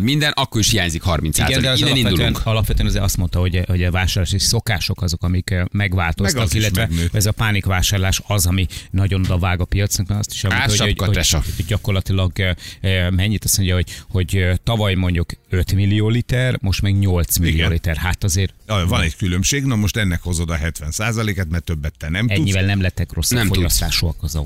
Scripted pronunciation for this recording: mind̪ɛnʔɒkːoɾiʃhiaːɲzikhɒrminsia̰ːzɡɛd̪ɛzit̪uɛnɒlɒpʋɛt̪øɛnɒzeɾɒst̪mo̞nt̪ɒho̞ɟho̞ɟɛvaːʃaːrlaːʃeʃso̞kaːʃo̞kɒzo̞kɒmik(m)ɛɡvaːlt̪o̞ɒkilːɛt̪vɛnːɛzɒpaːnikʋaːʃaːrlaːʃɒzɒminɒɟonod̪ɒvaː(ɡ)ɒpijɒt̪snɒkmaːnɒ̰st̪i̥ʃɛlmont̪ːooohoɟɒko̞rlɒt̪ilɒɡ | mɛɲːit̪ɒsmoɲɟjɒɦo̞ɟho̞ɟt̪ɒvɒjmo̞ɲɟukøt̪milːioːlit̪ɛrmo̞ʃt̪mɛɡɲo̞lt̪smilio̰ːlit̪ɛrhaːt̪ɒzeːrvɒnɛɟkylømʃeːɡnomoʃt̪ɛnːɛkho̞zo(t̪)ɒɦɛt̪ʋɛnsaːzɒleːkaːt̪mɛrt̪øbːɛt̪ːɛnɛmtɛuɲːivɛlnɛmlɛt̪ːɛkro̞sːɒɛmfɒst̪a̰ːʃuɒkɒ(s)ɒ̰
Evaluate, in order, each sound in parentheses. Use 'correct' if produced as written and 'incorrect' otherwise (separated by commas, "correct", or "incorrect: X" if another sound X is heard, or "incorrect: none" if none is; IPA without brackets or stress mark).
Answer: correct, correct, incorrect: d̪, incorrect: z